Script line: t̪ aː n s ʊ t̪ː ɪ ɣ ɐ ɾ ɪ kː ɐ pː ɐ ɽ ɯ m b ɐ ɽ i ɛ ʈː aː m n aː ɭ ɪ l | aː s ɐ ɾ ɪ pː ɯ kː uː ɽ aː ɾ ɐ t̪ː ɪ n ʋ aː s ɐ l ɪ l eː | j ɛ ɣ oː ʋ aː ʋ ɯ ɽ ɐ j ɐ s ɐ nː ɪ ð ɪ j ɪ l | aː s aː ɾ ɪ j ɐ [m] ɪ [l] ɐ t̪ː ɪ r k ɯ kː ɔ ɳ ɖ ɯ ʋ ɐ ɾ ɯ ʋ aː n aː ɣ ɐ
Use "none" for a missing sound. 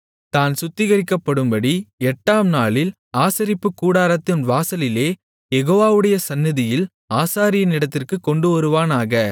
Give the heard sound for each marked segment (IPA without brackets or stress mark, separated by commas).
n, ɽ